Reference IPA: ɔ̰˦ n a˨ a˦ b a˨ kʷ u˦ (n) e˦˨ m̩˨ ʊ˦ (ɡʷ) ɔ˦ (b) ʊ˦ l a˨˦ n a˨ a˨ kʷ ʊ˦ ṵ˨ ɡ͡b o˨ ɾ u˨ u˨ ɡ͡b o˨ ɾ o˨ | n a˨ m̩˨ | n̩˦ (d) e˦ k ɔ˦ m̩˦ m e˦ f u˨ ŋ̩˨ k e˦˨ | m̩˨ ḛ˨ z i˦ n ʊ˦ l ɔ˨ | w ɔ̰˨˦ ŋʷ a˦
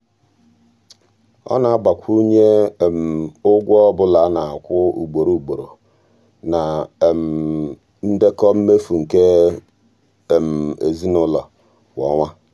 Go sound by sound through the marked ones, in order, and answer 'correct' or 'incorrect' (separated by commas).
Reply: incorrect, correct, correct, correct